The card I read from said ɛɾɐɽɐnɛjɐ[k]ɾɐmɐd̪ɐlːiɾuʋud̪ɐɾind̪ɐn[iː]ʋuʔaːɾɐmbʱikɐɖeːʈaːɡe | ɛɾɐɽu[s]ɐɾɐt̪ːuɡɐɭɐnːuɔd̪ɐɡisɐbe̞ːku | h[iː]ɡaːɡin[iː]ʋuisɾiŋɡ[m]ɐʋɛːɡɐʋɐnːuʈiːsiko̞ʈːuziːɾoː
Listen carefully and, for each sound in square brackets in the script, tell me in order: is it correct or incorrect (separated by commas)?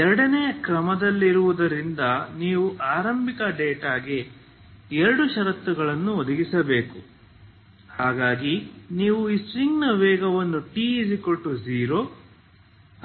correct, correct, incorrect, incorrect, correct, incorrect